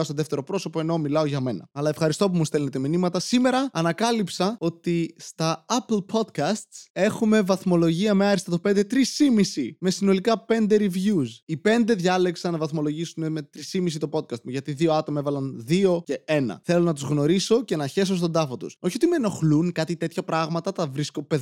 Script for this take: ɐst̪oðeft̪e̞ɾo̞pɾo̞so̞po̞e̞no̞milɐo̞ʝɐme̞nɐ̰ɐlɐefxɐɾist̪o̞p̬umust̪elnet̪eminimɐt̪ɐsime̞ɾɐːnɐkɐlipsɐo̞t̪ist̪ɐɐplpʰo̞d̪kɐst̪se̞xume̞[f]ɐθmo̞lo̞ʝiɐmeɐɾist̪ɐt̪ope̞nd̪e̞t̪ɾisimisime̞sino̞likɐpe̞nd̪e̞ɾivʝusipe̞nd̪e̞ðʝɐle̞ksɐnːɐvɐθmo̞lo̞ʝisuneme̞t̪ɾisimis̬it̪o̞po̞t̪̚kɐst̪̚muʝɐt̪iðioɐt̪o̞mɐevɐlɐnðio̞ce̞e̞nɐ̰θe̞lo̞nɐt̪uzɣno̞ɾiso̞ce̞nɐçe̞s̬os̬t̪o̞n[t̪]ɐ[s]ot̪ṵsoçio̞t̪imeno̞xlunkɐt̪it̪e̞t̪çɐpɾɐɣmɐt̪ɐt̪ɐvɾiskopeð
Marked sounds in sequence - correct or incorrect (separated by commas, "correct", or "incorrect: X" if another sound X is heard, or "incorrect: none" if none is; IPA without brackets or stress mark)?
incorrect: v, incorrect: d̪, incorrect: f